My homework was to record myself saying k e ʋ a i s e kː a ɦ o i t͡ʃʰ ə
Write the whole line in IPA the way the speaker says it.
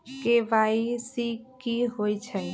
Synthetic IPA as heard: k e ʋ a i s i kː i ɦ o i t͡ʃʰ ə